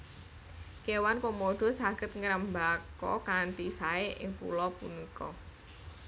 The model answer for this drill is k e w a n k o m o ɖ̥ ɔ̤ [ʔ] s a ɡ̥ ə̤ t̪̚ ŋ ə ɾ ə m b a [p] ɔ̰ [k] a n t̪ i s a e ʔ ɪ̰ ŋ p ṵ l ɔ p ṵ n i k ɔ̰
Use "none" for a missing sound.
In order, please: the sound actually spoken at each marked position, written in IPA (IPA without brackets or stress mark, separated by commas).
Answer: none, k, k